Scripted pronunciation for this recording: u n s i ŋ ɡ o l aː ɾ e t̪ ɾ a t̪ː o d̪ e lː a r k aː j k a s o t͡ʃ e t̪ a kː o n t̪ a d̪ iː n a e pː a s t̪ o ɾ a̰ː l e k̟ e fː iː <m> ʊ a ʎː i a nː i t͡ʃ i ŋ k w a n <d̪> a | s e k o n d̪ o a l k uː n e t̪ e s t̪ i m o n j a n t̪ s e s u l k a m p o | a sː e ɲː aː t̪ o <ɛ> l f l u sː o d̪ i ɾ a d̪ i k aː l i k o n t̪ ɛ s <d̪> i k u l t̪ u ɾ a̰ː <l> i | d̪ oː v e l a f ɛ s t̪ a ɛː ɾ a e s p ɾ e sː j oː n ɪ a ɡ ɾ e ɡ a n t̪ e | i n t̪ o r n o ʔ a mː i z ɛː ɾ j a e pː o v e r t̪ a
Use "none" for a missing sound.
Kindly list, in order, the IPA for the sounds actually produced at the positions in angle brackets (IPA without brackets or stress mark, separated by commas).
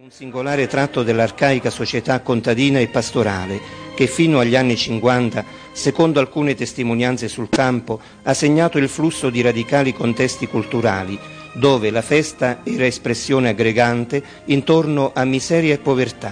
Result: n, t̪, i, t̪, l